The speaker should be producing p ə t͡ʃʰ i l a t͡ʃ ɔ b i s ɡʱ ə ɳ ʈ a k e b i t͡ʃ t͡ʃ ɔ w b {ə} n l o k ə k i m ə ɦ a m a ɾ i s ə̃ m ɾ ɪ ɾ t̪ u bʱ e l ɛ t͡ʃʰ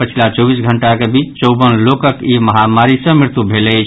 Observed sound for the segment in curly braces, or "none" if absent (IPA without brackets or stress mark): ə